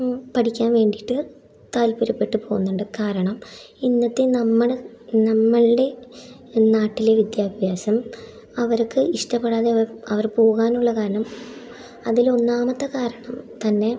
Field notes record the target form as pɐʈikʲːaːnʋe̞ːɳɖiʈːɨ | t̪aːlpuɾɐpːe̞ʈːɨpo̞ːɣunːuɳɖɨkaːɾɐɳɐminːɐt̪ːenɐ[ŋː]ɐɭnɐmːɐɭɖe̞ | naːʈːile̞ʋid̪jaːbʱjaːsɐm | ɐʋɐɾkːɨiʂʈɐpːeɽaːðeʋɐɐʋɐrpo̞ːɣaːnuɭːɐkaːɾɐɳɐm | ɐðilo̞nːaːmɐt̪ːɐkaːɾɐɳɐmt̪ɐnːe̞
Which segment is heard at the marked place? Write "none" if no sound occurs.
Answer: mː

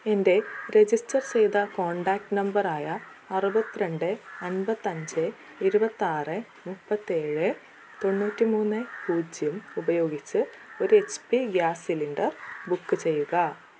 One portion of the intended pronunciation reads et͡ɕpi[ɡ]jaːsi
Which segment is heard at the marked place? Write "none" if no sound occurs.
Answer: ɡ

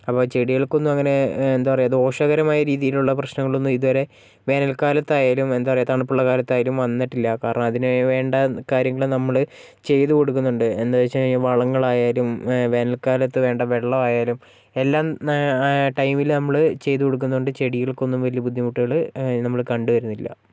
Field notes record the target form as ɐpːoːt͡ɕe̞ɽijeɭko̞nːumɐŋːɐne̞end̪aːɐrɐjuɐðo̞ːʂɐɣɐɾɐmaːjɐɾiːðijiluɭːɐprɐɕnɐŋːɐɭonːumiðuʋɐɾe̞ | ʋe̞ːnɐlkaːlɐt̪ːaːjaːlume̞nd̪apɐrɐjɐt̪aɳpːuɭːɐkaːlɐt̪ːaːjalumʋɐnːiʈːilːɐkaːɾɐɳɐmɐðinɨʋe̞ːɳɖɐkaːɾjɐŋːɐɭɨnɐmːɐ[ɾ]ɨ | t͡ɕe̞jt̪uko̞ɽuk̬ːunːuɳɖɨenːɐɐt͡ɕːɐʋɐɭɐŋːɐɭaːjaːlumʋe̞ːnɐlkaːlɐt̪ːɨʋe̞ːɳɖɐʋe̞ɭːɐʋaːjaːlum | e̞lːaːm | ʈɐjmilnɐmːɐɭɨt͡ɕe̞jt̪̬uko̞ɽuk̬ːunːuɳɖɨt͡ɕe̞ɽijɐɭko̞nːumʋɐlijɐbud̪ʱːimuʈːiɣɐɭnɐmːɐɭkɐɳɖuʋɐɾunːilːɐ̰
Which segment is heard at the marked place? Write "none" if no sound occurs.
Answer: ɭ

